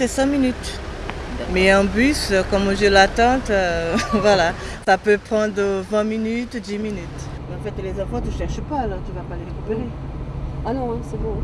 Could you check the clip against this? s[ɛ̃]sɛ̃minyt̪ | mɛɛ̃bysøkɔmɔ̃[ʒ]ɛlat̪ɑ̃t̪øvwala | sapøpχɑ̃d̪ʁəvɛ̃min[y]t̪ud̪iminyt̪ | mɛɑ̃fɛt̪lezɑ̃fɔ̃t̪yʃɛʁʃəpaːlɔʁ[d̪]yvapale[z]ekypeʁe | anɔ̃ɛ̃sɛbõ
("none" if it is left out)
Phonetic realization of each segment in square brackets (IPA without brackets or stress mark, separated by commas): ɛ, ʒ, y, t̪, ʁ